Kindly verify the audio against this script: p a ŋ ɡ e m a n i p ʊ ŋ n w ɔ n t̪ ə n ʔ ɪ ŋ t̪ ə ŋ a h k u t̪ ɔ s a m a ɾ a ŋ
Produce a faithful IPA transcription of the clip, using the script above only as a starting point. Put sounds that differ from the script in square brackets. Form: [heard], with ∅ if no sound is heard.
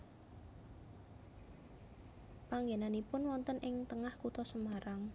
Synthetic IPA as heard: p a ŋ ɡ e [n] a n i p ʊ [∅] n w ɔ n t̪ ə n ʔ ɪ ŋ t̪ ə ŋ a h k u t̪ ɔ s [ə] m a ɾ a ŋ

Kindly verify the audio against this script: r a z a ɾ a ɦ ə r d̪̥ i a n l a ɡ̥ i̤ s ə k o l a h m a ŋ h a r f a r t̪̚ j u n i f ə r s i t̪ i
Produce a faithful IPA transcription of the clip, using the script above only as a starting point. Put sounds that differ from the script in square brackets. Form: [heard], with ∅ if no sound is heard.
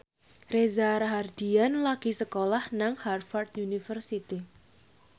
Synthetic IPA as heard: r [e] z a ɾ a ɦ [a] r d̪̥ i a n l a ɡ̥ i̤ s ə k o l a h [n] a ŋ h a r f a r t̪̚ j u n i f ə r s i t̪ i

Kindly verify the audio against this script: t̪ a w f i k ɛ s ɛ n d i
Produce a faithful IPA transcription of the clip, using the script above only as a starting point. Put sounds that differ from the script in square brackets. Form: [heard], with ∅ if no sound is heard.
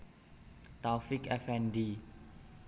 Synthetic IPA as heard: t̪ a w f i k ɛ [f] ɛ n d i

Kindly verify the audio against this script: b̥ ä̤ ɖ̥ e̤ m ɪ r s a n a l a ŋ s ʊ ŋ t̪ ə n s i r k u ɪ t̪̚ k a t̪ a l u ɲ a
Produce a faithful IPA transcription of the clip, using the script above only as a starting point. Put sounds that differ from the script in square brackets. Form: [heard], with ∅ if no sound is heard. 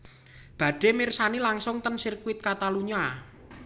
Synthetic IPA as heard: b̥ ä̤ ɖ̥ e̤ m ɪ r s a n [i] l a ŋ s ʊ ŋ t̪ ə n s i r k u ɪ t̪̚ k a t̪ a l u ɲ a

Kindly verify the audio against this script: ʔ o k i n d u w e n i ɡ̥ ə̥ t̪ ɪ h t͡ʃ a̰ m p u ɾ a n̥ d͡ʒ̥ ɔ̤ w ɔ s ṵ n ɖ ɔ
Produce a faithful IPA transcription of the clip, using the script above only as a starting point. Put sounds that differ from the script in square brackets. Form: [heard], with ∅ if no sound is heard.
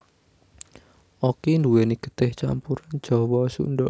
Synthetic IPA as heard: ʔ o k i n d u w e n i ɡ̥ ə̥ t̪ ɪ h t͡ʃ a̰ m p u ɾ a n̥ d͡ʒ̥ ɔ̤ w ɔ s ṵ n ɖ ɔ

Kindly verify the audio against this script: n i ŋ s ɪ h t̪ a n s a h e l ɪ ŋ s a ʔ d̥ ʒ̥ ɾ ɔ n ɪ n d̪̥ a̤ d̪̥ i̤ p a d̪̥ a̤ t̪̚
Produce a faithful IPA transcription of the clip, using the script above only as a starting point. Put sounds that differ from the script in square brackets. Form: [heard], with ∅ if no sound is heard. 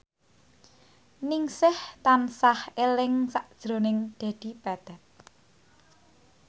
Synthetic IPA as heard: n i ŋ s ɪ h t̪ a n s a h e l ɪ ŋ s a ʔ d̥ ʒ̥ ɾ [o] n ɪ [ŋ] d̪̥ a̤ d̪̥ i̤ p a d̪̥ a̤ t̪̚

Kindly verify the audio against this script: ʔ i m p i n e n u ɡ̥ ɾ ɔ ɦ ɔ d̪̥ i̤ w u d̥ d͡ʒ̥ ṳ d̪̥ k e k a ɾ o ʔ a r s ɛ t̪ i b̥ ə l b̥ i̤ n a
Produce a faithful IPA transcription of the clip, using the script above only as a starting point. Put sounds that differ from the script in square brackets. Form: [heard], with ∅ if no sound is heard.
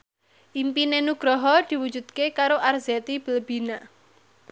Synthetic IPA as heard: ʔ i m p i n e n u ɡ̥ ɾ ɔ ɦ ɔ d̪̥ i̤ w u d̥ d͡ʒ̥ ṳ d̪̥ k e k a ɾ o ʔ a r [z] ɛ t̪ i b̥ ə l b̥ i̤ n a

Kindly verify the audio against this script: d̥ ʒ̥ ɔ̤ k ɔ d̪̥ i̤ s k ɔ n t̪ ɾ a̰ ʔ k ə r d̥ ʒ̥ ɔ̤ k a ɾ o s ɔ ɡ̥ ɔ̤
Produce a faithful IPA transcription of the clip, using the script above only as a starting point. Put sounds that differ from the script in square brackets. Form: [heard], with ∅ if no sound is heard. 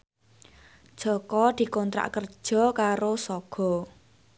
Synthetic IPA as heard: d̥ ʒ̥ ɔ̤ k ɔ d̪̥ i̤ [∅] k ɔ n t̪ ɾ a̰ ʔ k ə r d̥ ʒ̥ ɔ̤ k a ɾ o s ɔ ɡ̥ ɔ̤

